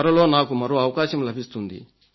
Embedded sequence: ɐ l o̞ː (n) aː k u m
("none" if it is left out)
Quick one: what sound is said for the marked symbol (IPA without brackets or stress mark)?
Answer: n